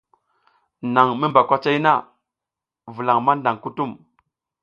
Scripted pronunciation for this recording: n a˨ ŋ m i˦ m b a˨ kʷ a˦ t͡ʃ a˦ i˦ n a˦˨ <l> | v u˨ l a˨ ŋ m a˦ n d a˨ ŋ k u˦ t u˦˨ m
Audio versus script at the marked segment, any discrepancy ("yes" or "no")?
yes